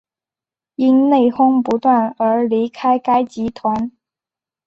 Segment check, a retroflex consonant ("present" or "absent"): absent